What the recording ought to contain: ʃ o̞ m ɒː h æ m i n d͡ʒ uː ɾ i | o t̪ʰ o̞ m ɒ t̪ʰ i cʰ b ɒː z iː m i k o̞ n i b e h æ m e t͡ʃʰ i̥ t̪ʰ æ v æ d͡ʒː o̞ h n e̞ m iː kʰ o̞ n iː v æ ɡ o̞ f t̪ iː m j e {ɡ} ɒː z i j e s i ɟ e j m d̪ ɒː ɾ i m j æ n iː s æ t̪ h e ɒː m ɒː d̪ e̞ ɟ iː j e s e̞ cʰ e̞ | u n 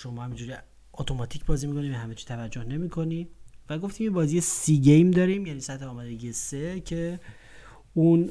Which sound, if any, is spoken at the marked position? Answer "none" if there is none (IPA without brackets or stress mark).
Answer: b